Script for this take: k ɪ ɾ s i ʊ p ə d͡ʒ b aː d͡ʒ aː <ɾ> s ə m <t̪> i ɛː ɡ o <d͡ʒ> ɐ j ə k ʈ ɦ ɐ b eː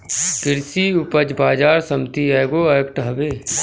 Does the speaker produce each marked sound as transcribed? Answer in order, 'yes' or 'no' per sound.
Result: yes, yes, no

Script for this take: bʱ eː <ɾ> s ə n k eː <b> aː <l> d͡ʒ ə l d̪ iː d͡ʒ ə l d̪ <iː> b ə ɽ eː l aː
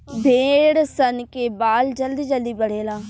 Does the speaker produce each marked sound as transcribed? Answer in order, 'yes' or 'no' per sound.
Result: no, yes, yes, yes

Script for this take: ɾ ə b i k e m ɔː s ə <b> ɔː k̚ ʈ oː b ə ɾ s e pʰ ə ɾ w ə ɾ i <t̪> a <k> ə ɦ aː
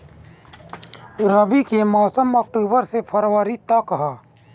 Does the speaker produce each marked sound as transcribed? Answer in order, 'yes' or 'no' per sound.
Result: no, yes, yes

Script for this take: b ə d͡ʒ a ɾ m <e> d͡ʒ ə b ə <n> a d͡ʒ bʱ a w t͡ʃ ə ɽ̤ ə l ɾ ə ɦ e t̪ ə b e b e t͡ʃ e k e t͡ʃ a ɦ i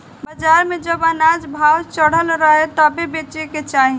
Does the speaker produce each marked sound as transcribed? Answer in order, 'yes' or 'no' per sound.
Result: yes, yes

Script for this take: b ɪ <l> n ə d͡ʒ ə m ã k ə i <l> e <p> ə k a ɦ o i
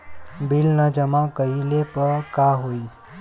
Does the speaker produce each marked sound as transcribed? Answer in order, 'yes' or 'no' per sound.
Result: yes, yes, yes

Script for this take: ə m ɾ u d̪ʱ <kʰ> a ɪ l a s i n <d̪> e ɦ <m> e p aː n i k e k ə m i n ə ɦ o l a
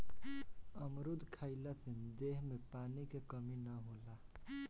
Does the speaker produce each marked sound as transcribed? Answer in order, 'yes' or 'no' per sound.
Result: yes, yes, yes

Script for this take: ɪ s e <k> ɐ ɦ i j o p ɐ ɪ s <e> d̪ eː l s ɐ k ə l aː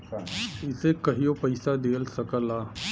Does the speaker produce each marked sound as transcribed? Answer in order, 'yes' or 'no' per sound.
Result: yes, no

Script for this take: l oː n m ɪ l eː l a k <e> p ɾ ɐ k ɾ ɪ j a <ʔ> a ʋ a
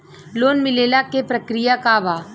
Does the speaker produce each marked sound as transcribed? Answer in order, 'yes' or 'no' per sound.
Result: yes, no

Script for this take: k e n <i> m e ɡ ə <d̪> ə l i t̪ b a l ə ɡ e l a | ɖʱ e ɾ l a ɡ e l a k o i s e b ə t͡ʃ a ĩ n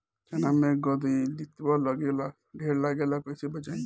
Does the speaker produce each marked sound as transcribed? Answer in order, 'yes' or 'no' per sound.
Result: no, yes

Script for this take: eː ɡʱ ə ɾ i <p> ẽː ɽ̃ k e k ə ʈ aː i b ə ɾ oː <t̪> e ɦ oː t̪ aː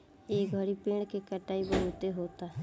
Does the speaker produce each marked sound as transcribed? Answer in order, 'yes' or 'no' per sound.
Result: yes, yes

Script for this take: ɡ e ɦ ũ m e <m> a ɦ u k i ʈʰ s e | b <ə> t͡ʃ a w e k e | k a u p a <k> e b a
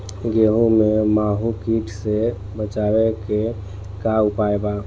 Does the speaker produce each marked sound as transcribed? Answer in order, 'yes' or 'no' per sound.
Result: yes, yes, no

